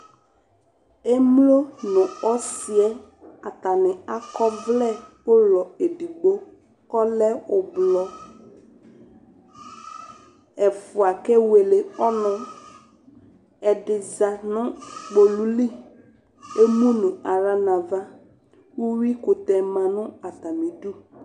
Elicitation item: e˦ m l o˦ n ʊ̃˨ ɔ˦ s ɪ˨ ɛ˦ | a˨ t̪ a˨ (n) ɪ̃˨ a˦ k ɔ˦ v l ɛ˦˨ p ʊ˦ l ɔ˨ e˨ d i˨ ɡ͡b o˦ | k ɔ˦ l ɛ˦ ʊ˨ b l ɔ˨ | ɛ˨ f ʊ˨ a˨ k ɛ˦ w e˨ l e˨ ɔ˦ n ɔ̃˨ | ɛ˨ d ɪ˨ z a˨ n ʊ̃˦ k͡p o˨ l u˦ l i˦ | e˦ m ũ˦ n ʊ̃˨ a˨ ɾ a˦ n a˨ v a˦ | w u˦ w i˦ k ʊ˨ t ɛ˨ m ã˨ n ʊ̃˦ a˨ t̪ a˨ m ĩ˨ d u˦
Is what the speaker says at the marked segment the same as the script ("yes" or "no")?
yes